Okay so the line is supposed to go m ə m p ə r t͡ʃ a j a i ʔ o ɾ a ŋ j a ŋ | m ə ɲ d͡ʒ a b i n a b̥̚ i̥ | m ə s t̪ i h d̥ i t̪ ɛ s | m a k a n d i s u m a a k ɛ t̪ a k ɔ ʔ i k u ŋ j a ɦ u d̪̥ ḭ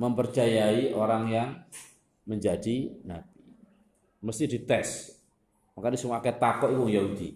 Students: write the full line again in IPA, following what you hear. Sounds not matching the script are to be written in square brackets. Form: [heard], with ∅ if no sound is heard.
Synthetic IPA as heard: m ə m p ə r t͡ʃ a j a i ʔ o ɾ a ŋ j a ŋ | m ə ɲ d͡ʒ a [d] i n a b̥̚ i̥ | m ə s t̪ i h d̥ i t̪ ɛ s | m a k a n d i s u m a a k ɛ t̪ a k ɔ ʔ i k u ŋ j a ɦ u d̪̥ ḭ